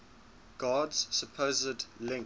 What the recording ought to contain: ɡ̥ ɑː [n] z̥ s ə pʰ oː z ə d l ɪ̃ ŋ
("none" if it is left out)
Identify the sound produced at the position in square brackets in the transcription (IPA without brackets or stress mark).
d